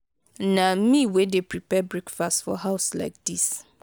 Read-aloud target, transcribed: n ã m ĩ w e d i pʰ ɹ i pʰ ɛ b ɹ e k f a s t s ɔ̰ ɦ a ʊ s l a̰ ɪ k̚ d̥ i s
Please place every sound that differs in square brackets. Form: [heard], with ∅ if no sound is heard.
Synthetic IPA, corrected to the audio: n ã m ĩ w e d [e] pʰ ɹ i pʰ ɛ b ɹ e k f a s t [f] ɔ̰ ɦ a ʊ s l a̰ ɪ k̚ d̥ i s